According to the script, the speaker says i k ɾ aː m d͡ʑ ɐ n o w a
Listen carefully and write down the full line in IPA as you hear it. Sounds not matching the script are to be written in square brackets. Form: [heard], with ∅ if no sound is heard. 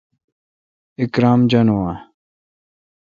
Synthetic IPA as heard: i k ɾ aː m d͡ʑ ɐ n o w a